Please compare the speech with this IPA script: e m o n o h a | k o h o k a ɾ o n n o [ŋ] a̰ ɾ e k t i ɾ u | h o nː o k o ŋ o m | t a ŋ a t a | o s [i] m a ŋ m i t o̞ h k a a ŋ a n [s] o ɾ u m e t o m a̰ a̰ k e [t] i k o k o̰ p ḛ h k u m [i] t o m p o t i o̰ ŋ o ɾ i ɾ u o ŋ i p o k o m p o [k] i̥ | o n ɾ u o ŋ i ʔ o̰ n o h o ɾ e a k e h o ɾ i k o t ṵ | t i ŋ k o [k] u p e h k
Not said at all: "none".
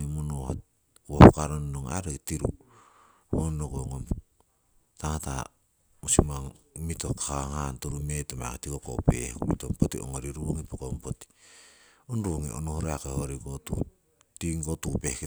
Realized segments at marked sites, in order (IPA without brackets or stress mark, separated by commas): ŋ, i, t, t, i, t, t